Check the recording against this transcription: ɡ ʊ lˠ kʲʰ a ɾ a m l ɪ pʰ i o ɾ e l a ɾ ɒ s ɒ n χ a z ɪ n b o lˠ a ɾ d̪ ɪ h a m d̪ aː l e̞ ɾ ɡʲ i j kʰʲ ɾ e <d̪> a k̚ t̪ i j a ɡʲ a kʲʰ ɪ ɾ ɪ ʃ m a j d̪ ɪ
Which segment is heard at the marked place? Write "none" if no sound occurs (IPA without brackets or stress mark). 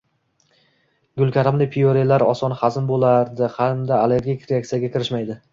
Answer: none